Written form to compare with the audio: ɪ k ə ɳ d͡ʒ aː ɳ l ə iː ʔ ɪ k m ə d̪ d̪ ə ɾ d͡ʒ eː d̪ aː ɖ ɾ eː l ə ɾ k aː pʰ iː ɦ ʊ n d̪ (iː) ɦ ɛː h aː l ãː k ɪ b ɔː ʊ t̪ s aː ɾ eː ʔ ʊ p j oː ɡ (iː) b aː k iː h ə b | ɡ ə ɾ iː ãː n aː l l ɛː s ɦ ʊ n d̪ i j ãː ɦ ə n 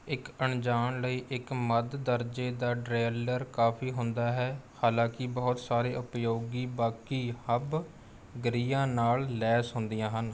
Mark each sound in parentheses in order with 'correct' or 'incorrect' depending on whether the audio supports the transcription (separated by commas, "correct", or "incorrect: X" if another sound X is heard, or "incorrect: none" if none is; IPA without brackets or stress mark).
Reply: incorrect: aː, correct